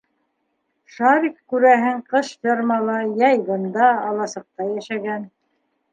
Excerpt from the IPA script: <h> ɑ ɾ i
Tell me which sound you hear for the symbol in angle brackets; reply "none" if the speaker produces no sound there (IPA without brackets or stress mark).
ʃ